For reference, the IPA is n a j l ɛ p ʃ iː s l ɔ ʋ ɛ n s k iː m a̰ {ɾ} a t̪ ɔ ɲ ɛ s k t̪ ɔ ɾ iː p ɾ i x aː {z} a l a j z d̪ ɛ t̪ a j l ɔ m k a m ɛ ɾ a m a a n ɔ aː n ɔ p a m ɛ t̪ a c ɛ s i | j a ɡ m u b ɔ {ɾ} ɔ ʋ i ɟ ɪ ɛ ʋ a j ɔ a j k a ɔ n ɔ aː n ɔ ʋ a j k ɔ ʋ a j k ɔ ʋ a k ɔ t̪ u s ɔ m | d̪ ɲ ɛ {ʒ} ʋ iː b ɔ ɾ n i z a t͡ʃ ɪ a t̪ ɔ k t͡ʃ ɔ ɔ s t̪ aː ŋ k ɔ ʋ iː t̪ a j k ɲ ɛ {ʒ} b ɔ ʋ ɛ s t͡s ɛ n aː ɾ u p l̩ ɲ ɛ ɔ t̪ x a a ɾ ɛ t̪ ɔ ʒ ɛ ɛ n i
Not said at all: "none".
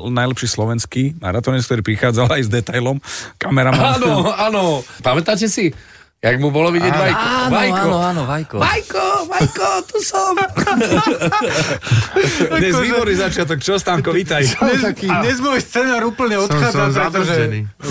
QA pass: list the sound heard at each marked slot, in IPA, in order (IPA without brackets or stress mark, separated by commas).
ɾ, d͡z, l, z, z